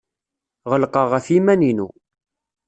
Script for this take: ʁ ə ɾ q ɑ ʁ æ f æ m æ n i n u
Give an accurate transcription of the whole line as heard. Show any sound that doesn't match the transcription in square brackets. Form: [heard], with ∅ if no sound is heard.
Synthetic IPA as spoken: ʁ ə [l] q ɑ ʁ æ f [i] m æ n i n u